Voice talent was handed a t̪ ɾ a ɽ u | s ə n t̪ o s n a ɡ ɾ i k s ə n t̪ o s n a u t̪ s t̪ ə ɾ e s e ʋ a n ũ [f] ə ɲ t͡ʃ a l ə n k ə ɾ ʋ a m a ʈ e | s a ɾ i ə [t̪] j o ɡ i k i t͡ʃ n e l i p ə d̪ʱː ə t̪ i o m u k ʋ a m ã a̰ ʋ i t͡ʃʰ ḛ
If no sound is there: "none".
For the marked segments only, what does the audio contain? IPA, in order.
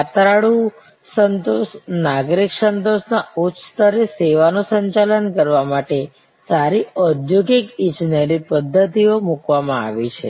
s, d̪

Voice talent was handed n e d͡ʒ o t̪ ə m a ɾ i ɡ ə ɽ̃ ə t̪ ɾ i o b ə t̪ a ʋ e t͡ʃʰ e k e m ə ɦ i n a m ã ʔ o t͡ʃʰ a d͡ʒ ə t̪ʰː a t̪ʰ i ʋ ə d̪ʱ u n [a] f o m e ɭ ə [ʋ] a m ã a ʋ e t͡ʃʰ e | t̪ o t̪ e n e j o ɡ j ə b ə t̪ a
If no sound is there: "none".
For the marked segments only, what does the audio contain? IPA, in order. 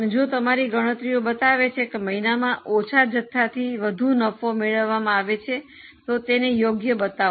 ə, ʋː

